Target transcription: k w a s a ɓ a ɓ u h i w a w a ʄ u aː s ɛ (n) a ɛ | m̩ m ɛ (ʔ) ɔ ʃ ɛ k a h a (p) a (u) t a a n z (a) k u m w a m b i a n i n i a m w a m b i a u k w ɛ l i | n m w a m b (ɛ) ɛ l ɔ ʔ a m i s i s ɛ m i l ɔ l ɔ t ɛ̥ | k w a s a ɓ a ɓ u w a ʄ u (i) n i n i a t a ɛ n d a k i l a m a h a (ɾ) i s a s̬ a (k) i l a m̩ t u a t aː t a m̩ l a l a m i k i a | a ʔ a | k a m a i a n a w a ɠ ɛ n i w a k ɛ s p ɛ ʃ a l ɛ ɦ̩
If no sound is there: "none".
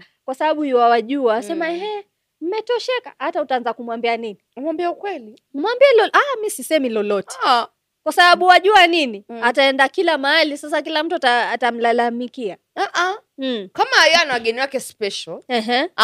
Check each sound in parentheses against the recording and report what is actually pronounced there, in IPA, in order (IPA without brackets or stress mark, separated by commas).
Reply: m, t, t, u, a, i, a, l, k